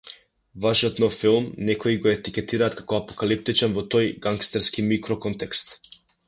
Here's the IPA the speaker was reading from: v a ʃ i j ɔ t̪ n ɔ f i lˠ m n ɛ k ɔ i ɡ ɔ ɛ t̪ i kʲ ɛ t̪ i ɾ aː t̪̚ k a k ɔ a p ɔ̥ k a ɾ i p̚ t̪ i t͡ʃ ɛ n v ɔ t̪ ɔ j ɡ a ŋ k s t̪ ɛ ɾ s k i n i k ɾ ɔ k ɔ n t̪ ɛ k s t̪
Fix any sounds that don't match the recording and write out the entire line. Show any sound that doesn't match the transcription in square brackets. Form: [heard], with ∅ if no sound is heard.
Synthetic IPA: v a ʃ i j ɔ t̪ n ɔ f i lˠ m n ɛ k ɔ i ɡ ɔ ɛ t̪ i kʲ ɛ t̪ i ɾ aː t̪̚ k a k ɔ a p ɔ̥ k a [l] i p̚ t̪ i t͡ʃ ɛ n v ɔ t̪ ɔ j ɡ a ŋ k s t̪ ɛ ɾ s k i [m] i k ɾ ɔ k ɔ n t̪ ɛ k s t̪